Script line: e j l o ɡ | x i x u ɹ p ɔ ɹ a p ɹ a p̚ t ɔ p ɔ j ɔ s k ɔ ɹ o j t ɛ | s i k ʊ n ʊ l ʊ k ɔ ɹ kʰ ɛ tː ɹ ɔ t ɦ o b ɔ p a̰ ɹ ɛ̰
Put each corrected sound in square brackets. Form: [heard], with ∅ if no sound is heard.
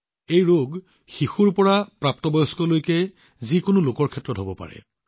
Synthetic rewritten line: e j [ɹ] o ɡ | x i x u ɹ p ɔ ɹ a p ɹ a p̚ t ɔ [b] ɔ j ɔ s k ɔ [l] o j [k] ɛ | [z] i k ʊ n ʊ l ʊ k ɔ ɹ kʰ ɛ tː ɹ ɔ t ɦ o b ɔ p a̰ ɹ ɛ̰

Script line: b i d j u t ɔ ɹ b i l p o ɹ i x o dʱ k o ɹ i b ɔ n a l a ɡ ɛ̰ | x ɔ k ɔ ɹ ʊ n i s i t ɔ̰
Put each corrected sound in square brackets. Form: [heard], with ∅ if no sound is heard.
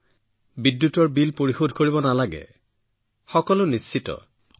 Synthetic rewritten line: b i d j u t ɔ ɹ b i l p o ɹ i x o dʱ k o ɹ i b ɔ n a l a ɡ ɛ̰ | x ɔ k ɔ [l] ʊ n i s i t ɔ̰

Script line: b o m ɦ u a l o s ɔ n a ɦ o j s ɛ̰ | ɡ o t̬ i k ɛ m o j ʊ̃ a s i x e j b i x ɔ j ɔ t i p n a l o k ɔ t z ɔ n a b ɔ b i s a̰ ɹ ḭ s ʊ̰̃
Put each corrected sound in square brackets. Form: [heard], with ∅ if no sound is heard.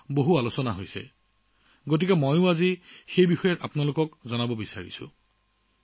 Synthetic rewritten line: b o [∅] ɦ u a l o s ɔ n a ɦ o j s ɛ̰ | ɡ o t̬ i k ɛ m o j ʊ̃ a [z] i x e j b i x ɔ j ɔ t [a] p n a l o k ɔ [k] z ɔ n a b ɔ b i s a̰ ɹ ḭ s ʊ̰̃

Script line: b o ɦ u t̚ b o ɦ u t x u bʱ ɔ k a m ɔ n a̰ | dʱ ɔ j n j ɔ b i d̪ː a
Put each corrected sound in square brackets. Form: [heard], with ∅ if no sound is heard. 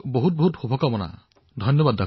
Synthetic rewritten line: b o ɦ u t̚ b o ɦ u t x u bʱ ɔ k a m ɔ n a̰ | dʱ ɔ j n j ɔ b [a] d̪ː a

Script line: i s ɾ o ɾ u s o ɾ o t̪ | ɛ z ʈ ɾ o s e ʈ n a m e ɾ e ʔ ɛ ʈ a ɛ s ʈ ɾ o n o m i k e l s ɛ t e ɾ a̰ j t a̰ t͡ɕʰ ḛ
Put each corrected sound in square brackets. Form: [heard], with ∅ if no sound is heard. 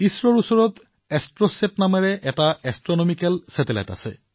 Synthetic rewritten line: i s ɾ o ɾ u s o ɾ o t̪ | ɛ [s] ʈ ɾ o s e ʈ n a m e ɾ e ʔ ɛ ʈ a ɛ s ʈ ɾ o n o m i k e l s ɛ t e [l] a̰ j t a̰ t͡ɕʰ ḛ

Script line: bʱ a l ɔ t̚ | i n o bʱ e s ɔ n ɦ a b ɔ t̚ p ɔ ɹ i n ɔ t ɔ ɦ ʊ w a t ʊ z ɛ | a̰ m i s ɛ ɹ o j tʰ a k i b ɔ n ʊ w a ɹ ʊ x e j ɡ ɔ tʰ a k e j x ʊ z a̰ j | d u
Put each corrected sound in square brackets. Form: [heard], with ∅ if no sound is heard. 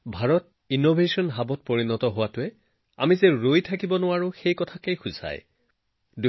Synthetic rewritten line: bʱ a [ɹ] ɔ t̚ | i n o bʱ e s ɔ n ɦ a b ɔ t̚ p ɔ ɹ i n ɔ t ɔ ɦ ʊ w a t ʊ [∅] ɛ | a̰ m i [z] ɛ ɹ o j tʰ a k i b ɔ n ʊ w a ɹ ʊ x e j [k] ɔ tʰ a k e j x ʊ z a̰ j | d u

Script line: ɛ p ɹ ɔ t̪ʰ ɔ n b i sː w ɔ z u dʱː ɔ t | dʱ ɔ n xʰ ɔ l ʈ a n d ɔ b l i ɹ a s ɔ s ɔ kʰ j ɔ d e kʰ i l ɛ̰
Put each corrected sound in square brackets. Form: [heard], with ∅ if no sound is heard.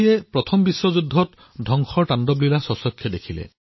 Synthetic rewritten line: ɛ p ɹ ɔ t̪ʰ ɔ [m] b i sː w ɔ z u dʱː ɔ t | dʱ ɔ [ŋ] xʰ ɔ [ɹ] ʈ a n d ɔ b l i [l] a s ɔ s ɔ kʰ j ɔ d e kʰ i l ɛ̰

